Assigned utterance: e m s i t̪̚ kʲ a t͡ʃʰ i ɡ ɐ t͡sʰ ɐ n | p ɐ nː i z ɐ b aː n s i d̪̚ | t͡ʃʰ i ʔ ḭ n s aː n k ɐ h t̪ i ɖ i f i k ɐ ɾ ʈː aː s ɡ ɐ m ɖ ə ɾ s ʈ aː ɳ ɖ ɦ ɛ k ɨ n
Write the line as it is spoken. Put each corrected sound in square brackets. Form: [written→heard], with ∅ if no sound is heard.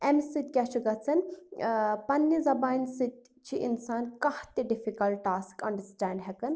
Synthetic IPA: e m s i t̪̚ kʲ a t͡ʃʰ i ɡ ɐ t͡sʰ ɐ n | p ɐ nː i z ɐ b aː n s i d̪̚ | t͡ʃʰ i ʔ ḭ n s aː n k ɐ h t̪ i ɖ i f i k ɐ [ɾ→l] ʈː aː s [ɡ→k] ɐ [m→ɳ] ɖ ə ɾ s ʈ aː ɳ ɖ ɦ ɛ k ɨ n